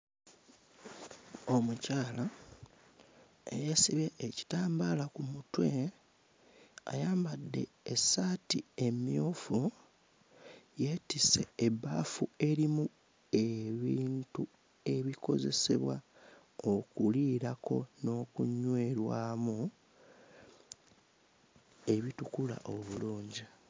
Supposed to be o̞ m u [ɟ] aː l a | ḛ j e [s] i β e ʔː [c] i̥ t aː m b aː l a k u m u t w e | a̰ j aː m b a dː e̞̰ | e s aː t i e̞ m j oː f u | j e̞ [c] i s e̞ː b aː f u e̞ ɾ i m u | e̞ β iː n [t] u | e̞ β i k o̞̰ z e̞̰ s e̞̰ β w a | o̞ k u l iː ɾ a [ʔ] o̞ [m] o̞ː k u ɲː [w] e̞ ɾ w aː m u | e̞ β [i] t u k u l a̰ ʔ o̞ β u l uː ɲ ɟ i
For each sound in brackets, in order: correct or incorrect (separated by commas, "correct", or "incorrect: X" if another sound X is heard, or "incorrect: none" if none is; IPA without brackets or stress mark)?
incorrect: c, correct, correct, incorrect: t, correct, incorrect: k, incorrect: n, correct, correct